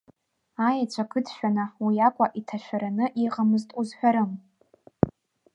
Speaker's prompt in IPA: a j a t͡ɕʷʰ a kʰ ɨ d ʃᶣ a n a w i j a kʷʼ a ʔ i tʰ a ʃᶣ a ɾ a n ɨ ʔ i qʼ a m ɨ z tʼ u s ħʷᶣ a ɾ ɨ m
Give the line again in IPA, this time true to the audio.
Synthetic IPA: a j a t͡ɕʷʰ a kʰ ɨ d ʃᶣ a n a w i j a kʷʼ a ʔ i tʰ a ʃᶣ a ɾ a n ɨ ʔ i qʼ a m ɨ z tʼ u z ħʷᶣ a ɾ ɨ m